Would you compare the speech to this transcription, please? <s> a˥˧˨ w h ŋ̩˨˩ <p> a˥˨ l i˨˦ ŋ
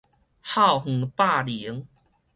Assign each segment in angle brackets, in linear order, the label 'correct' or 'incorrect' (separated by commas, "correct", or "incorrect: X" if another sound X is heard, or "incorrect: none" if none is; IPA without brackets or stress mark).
incorrect: h, correct